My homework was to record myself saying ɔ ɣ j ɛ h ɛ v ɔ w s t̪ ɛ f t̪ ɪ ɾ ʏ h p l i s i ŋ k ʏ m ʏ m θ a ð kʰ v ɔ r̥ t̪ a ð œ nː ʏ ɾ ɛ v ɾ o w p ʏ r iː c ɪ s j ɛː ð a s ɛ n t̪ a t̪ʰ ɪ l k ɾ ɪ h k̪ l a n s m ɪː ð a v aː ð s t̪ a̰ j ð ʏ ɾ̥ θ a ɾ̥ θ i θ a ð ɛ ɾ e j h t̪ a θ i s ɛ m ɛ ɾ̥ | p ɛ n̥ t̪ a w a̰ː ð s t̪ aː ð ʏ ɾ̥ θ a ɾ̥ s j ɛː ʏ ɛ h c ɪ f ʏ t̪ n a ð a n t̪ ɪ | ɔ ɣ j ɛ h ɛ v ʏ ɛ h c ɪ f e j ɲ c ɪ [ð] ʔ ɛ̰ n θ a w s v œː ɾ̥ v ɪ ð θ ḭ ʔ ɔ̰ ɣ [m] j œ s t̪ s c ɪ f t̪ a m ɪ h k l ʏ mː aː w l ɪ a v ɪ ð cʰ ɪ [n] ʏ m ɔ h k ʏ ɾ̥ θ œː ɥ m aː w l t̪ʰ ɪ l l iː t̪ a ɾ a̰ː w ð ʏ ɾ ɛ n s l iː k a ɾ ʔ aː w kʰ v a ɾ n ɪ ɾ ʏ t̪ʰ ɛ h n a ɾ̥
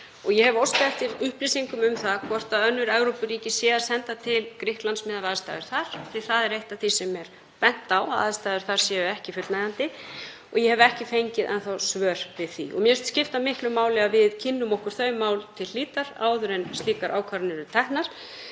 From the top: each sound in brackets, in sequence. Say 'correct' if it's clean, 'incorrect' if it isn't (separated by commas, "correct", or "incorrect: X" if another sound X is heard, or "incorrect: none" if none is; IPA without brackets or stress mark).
correct, correct, incorrect: nː